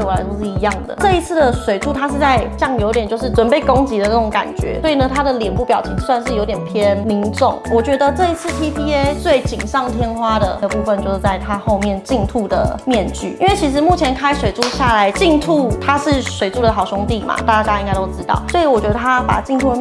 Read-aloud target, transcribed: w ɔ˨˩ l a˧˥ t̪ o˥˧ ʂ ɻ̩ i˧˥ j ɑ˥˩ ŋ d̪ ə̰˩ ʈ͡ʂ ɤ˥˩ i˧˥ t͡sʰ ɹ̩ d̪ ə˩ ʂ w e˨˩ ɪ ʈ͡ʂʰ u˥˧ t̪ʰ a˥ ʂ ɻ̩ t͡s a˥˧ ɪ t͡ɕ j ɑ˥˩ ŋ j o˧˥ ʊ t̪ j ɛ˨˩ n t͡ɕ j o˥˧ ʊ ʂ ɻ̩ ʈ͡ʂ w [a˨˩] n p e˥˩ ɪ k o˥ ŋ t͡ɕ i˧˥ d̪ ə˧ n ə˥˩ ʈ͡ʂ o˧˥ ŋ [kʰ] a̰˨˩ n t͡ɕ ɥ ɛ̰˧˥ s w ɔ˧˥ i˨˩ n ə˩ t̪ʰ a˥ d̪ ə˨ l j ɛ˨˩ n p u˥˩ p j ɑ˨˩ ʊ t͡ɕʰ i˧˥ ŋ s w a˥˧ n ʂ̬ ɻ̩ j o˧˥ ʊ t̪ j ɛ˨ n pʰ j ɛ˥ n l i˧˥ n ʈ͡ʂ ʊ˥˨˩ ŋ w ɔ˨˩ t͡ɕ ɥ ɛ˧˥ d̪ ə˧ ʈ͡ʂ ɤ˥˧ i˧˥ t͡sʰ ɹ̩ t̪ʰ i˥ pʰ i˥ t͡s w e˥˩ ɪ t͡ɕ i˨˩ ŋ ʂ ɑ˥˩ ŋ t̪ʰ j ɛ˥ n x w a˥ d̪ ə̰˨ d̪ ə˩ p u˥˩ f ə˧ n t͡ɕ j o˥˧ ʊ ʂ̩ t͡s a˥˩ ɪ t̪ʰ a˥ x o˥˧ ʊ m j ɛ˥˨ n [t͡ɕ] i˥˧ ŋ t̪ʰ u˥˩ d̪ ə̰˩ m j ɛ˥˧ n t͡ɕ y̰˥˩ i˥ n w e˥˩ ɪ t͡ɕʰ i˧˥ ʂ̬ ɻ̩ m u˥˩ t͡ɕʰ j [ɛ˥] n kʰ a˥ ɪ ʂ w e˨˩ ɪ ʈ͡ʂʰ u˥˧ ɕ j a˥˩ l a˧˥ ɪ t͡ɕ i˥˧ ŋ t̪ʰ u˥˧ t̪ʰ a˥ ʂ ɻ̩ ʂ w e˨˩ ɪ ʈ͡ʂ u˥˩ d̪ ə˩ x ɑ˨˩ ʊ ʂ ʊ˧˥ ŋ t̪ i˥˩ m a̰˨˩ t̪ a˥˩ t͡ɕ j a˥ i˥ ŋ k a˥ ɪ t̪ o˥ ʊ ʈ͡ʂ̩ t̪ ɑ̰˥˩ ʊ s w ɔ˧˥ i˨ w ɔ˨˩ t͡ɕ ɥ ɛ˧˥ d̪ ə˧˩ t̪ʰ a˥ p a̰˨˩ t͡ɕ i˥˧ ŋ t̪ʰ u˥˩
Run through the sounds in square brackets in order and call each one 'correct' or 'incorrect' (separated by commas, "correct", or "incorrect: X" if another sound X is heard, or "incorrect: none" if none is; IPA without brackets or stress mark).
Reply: incorrect: ə˨˩, incorrect: k, correct, incorrect: ɛ˧˥